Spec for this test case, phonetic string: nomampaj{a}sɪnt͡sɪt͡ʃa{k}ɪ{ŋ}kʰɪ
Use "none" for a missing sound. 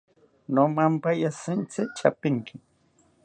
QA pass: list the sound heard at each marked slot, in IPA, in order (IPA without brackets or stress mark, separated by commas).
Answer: a, p, ŋ